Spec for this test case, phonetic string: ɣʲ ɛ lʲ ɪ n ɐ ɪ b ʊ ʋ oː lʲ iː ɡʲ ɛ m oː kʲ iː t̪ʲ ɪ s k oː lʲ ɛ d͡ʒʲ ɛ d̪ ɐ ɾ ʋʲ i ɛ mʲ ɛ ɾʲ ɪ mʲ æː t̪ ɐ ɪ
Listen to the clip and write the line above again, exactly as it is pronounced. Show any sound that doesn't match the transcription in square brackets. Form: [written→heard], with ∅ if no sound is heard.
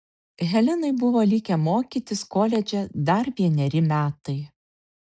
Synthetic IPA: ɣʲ ɛ lʲ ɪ n ɐ ɪ b ʊ ʋ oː lʲ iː [ɡʲ→kʲ] ɛ m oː kʲ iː t̪ʲ ɪ s k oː lʲ ɛ d͡ʒʲ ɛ d̪ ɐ ɾ ʋʲ i ɛ [mʲ→nʲ] ɛ ɾʲ ɪ mʲ æː t̪ ɐ ɪ